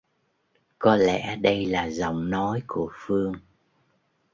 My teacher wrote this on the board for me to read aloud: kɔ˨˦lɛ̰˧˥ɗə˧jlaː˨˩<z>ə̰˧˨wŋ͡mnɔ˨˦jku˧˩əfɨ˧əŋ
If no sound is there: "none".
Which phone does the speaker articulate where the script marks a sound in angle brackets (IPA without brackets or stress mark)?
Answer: z